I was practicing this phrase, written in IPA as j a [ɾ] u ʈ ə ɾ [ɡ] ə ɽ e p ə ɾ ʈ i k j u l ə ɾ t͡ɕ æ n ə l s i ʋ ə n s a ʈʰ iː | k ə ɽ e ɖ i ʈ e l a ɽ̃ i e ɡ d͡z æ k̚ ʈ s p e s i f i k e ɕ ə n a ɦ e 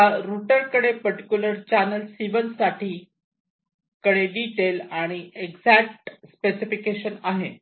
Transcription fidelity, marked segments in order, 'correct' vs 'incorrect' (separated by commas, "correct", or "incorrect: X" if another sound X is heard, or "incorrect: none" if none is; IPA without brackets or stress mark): correct, incorrect: k